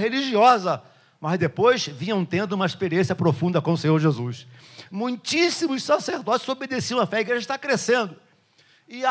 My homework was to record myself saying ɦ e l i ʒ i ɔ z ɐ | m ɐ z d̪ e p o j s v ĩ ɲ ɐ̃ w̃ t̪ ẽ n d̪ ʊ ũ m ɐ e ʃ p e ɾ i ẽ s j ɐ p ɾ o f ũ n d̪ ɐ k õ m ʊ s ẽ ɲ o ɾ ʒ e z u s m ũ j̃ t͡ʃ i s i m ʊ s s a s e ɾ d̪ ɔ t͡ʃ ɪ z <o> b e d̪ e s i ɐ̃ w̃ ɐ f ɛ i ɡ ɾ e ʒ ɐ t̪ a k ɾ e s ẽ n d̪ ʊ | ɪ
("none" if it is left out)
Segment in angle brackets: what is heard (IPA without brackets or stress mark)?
o